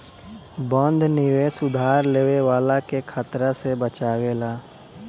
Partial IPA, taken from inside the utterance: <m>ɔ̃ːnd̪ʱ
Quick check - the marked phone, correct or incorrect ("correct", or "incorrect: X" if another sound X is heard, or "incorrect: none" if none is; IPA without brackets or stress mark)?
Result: incorrect: b